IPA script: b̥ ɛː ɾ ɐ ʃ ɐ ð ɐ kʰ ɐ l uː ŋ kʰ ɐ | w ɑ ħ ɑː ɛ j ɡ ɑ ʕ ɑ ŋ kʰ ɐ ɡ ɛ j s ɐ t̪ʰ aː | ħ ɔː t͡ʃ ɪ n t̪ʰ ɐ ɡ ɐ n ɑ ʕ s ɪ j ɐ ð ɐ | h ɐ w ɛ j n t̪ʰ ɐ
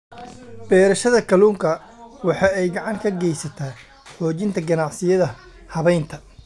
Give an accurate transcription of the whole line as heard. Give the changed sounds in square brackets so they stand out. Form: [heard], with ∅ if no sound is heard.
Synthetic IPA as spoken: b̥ ɛː ɾ ɐ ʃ ɐ ð ɐ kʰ ɐ l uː ŋ kʰ ɐ | w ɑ ħ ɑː ɛ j ɡ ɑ ʕ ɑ ŋ kʰ ɐ ɡ ɛ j s ɐ t̪ʰ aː | ħ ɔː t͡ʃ ɪ n t̪ʰ ɐ ɡ ɐ n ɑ ʕ s ɪ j ɐ ð ɐ | h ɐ [β] ɛ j n t̪ʰ ɐ